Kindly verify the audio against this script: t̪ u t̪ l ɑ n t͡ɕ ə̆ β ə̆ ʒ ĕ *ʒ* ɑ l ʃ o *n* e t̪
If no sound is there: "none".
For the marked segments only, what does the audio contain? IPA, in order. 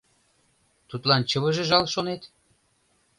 ʒ, n

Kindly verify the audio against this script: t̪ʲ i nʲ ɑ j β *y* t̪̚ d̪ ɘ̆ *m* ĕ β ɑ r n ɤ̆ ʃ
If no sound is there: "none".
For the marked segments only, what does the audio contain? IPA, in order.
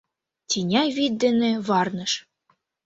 i, n

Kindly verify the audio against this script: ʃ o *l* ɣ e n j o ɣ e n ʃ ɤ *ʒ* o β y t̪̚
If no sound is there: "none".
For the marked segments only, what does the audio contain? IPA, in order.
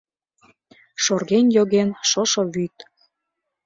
r, ʃ

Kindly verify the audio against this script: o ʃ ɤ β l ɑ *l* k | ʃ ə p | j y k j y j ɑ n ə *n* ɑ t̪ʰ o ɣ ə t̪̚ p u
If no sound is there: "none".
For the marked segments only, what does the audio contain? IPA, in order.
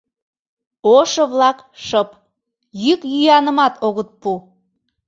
none, m

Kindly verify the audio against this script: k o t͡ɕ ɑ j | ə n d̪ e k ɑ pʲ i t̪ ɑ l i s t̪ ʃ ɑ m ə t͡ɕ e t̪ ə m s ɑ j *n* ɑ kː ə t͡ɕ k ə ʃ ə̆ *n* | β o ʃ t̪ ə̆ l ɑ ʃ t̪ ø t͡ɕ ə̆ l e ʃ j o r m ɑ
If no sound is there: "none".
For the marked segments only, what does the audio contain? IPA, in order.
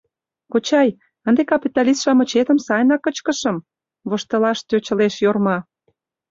n, m

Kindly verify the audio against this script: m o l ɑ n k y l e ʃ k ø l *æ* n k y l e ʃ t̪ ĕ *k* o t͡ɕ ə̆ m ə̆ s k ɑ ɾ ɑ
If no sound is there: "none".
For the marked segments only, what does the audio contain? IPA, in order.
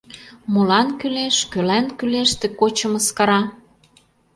æ, k

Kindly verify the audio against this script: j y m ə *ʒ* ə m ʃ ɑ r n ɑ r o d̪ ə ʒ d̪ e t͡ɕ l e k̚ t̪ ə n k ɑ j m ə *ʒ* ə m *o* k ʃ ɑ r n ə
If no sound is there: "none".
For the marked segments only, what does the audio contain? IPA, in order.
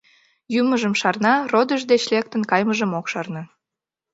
ʒ, ʒ, o

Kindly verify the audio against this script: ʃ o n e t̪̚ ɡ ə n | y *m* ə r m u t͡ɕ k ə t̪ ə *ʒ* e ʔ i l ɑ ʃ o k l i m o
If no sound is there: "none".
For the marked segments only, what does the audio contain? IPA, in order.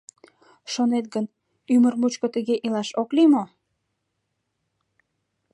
m, ɣ

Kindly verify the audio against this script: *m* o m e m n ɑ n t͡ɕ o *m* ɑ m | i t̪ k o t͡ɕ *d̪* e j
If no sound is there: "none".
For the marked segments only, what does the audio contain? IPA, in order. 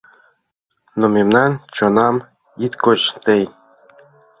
n, n, t̪

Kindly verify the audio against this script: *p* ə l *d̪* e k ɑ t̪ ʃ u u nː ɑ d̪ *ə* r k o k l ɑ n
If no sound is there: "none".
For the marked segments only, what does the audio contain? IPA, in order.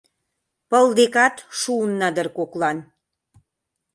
p, d̪, ə

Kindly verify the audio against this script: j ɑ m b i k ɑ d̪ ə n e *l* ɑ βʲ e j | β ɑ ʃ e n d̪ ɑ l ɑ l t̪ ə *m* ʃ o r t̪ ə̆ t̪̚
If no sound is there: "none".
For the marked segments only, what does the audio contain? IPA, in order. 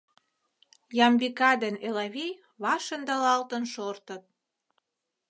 l, n

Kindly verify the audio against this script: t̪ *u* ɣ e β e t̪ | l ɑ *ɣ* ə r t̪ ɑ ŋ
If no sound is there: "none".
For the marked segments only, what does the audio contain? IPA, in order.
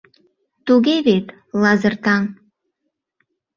u, z

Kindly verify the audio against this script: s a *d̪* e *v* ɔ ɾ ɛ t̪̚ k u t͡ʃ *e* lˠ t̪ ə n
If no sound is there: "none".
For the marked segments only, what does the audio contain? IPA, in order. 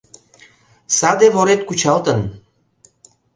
d̪, v, a

